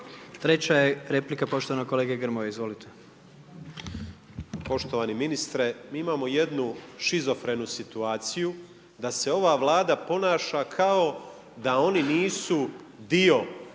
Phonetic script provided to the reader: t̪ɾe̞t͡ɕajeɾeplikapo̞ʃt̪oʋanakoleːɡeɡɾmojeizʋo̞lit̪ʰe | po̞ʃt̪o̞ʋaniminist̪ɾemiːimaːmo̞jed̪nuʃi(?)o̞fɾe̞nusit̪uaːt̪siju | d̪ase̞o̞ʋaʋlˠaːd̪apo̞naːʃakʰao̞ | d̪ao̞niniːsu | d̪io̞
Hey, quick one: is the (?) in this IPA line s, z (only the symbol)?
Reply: z